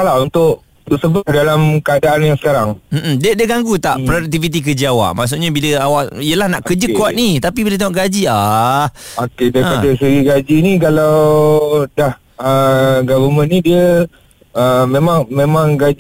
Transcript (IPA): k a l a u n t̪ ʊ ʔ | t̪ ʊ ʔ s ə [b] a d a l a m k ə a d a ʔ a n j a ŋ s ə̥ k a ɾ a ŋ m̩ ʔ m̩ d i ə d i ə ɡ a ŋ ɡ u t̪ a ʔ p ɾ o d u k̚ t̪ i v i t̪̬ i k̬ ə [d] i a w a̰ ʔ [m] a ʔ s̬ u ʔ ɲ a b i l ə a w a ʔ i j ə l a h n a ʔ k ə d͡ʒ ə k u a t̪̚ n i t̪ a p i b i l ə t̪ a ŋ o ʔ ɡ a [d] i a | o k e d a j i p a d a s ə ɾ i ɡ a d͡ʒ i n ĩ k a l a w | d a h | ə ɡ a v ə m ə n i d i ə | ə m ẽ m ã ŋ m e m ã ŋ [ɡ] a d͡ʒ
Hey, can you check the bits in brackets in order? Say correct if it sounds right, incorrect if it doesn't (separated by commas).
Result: correct, incorrect, correct, incorrect, correct